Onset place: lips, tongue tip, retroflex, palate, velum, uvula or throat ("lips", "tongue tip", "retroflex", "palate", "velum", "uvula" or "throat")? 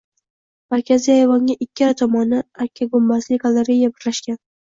lips